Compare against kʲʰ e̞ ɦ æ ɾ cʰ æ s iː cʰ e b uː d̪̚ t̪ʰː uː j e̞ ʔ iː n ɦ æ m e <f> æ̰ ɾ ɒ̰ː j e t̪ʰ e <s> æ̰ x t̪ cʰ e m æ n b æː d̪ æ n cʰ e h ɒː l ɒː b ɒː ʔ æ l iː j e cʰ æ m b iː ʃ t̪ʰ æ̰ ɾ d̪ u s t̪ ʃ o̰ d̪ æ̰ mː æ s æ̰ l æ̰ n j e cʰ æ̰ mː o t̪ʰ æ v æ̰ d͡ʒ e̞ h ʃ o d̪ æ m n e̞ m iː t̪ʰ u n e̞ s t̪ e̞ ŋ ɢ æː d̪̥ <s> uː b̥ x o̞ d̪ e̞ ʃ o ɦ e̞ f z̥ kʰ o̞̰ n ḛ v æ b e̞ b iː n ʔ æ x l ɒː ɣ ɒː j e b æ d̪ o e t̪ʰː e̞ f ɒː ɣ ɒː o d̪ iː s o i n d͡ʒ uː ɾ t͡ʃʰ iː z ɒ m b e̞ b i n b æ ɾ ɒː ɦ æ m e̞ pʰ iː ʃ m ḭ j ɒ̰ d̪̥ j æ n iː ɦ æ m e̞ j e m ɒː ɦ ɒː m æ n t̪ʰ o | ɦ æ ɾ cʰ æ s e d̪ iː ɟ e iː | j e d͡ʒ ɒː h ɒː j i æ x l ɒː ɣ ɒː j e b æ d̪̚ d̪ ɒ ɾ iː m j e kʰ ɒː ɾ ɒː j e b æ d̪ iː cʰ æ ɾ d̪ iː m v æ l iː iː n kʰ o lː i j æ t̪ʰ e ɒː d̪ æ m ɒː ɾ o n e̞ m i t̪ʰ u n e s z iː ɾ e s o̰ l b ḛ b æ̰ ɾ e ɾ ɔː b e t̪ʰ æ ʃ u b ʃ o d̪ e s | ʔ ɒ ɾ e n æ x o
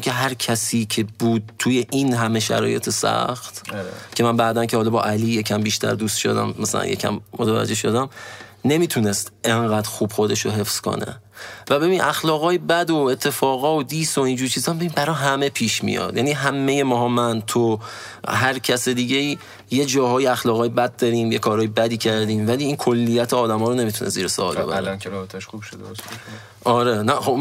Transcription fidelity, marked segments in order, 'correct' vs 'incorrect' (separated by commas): incorrect, correct, incorrect